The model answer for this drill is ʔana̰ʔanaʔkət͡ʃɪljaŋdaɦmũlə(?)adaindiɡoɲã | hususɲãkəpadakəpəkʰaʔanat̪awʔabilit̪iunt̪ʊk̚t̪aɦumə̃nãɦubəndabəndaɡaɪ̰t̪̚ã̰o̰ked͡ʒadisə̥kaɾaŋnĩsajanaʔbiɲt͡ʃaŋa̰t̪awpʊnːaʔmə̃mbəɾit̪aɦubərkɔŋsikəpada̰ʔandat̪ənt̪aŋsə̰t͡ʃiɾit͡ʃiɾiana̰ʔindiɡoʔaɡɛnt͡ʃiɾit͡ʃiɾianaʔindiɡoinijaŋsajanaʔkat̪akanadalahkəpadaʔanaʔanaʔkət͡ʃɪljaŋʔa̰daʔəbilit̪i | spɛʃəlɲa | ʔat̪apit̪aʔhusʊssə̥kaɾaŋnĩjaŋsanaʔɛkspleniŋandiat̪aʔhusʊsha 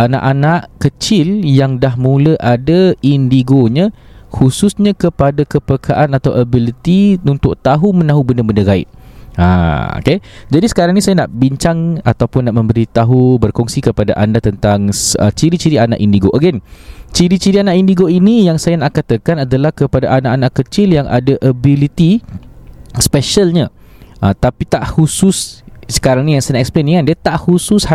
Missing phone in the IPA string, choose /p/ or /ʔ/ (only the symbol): ʔ